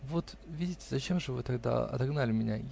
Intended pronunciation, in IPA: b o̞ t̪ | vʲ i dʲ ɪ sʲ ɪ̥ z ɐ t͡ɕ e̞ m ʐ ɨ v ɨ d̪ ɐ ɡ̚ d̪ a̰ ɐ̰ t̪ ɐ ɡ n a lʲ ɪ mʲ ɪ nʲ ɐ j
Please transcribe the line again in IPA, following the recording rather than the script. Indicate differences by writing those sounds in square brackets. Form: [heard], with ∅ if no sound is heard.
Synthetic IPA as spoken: [v] o̞ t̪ | vʲ i dʲ ɪ [tʲ] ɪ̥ z ɐ t͡ɕ e̞ m ʐ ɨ v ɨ [t̪] ɐ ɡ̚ d̪ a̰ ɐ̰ t̪ ɐ ɡ n a lʲ ɪ mʲ ɪ nʲ [a] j